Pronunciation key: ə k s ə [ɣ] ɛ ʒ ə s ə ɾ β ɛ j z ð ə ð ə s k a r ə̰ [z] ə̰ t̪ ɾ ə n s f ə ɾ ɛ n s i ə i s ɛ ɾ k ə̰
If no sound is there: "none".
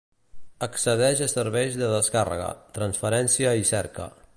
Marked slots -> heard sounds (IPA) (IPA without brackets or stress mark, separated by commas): ð, ɣ